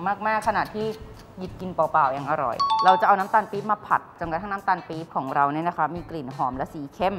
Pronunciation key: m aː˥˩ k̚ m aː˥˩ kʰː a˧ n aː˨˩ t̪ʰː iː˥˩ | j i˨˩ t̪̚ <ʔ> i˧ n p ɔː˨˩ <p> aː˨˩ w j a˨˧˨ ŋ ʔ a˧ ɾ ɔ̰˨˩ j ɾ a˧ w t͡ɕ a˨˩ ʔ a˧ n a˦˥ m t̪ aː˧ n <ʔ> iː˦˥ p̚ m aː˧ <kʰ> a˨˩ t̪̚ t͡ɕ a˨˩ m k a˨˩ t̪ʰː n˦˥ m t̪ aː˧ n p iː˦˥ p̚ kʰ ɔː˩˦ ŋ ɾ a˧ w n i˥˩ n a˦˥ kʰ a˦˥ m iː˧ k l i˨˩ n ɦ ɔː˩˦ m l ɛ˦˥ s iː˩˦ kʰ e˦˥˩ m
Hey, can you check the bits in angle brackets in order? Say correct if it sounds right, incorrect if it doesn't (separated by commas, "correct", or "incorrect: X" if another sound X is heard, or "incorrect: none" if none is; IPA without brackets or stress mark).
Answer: incorrect: k, correct, incorrect: p, incorrect: pʰ